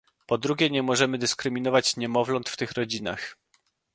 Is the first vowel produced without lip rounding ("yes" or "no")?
no